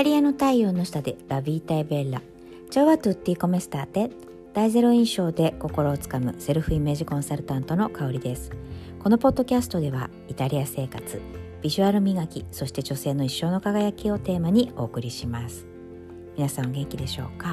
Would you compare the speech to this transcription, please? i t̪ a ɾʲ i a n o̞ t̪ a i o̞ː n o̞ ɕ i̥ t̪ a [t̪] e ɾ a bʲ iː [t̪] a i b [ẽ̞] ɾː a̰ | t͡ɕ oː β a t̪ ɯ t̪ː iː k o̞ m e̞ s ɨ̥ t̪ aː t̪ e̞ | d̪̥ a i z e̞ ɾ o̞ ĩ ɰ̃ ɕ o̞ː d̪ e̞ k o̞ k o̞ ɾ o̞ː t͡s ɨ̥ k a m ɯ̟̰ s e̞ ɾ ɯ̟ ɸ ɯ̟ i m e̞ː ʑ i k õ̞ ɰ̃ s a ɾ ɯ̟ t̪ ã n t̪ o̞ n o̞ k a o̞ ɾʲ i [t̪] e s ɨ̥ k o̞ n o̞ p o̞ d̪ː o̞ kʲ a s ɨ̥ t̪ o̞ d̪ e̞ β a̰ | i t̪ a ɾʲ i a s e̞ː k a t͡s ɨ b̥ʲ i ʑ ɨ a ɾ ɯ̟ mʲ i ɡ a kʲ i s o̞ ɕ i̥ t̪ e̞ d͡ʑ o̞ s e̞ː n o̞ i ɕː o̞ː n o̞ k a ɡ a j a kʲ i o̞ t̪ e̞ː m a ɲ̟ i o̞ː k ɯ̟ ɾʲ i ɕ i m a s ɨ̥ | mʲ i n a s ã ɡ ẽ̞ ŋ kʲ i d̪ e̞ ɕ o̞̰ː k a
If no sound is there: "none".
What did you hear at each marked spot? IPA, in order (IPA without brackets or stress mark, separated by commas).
d̪, t̪, e̞, d̪